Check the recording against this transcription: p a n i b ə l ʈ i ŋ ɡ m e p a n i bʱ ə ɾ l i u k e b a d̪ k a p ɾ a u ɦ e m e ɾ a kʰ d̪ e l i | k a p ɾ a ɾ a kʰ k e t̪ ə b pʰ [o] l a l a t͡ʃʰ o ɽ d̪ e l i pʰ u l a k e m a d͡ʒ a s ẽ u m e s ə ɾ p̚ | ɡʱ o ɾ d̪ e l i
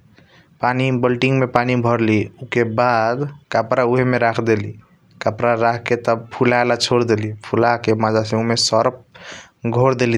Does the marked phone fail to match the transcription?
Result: yes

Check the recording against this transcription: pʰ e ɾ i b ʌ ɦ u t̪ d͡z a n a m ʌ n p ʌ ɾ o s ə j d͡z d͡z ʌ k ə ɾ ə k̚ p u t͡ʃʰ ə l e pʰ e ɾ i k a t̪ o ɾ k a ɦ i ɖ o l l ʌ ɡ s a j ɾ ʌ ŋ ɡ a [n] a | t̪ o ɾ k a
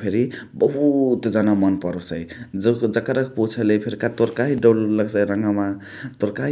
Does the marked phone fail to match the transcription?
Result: yes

